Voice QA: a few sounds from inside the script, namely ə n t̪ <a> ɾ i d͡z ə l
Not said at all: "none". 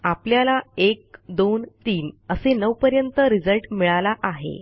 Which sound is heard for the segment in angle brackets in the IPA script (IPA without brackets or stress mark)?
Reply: ə